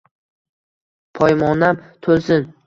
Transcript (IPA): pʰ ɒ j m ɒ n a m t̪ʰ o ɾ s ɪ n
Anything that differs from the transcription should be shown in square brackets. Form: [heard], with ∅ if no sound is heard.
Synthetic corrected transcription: pʰ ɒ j m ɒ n a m t̪ʰ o [l] s ɪ n